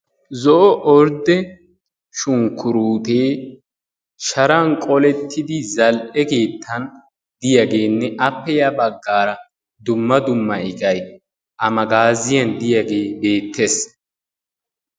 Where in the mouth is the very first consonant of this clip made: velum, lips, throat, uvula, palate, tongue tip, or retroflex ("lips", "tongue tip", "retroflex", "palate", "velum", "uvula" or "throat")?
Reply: tongue tip